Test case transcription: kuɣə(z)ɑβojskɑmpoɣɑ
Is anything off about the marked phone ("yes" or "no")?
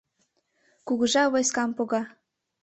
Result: yes